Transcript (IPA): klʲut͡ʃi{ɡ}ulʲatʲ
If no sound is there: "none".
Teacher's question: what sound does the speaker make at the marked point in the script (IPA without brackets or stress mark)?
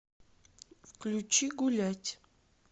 ɡ